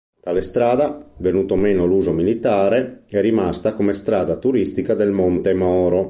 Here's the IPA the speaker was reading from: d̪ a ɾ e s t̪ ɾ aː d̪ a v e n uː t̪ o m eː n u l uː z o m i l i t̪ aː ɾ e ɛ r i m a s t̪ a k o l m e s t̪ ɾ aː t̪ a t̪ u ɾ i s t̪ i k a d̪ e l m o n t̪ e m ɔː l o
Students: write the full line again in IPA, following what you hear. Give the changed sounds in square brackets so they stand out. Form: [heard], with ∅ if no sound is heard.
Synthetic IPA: [t̪] a [l] e s t̪ ɾ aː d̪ a v e n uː t̪ o m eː n [o] l uː z o m i l i t̪ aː ɾ e ɛ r i m a s t̪ a k o [∅] m e s t̪ ɾ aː [d̪] a t̪ u ɾ i s t̪ i k a d̪ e l m o n t̪ e m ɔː [ɾ] o